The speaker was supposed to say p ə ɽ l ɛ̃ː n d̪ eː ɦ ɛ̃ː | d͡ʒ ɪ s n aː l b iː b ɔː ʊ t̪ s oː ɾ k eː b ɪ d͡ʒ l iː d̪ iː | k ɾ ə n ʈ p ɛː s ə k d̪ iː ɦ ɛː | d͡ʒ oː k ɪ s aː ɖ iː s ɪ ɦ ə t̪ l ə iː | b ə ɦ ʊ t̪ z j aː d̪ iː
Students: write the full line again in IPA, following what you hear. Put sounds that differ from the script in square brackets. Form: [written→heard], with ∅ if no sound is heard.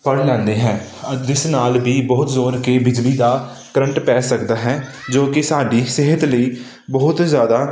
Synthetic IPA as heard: p ə ɽ l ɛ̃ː n d̪ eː ɦ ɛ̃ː | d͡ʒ ɪ s n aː l b iː b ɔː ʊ t̪ [s→z] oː ɾ k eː b ɪ d͡ʒ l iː d̪ [iː→aː] | k ɾ ə [n→ɳ] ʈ p ɛː s ə k d̪ [iː→aː] ɦ ɛː | d͡ʒ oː k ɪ s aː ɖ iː s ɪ ɦ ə t̪ l ə iː | b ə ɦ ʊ t̪ z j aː d̪ [iː→aː]